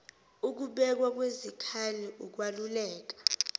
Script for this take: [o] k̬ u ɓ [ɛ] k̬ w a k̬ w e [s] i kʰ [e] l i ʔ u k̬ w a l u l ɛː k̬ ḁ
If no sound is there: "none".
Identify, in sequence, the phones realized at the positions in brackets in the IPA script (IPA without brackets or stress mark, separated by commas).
u, ɛ, z, a